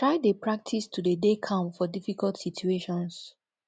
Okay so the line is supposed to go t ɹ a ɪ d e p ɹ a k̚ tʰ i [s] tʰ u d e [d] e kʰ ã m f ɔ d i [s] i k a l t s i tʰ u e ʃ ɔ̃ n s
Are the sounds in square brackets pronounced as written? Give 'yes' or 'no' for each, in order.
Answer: yes, yes, no

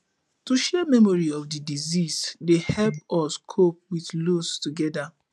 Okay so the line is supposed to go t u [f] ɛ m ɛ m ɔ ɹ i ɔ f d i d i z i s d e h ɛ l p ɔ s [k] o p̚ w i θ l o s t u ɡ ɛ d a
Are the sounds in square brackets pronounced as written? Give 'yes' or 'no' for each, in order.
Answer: no, no

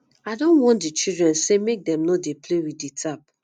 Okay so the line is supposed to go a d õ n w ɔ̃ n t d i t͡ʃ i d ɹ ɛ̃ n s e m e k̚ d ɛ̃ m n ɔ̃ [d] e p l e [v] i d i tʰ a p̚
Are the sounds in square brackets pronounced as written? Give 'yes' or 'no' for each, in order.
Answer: yes, no

